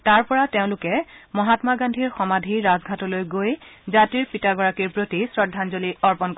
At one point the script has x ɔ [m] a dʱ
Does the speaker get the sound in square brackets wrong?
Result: no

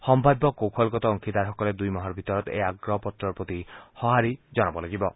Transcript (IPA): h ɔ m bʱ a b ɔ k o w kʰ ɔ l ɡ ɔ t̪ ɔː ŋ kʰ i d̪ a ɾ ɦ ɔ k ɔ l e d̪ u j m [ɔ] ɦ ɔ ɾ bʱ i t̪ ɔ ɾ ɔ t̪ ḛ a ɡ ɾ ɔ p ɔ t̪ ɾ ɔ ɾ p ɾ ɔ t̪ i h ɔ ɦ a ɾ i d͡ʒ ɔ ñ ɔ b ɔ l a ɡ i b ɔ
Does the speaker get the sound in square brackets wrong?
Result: no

